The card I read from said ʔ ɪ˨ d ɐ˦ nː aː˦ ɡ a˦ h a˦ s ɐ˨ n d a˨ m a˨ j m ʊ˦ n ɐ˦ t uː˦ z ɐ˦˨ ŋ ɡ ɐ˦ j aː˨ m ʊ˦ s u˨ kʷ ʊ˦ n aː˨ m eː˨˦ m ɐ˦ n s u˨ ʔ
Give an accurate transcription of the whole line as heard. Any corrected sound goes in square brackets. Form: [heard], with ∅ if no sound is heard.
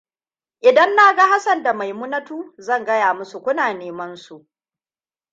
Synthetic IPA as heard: ʔ ɪ˨ d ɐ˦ nː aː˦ ɡ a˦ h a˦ s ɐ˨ n d a˨ m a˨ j m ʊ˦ n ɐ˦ t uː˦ z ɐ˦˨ ŋ ɡ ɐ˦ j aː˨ m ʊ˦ s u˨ kʷ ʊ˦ n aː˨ [n] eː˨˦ m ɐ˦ n s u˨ ʔ